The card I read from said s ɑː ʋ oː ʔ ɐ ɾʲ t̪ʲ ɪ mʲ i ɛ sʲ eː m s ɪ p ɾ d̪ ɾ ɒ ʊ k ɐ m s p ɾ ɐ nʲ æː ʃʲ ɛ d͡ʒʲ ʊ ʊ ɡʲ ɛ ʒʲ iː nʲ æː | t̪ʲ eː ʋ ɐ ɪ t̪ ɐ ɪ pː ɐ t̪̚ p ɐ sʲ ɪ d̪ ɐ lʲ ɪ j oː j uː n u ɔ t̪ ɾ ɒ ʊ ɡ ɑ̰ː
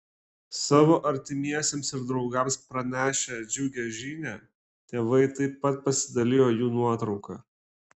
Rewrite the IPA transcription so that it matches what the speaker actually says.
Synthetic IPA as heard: s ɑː ʋ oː ʔ ɐ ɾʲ t̪ʲ ɪ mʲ i ɛ sʲ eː m s ɪ ɾ d̪ ɾ ɒ ʊ ɡ ɐ m s p ɾ ɐ nʲ æː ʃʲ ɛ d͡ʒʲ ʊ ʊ ɡʲ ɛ ʒʲ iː nʲ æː | t̪ʲ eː ʋ ɐ ɪ t̪ ɐ ɪ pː ɐ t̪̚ p ɐ sʲ ɪ d̪ ɐ lʲ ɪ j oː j uː n u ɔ t̪ ɾ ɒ ʊ k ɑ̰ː